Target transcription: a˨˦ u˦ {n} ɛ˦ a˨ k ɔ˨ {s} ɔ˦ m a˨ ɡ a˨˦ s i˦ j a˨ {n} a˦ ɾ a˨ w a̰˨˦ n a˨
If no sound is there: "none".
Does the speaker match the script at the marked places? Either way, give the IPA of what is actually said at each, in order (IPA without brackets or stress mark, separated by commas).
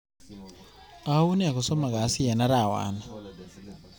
n, s, n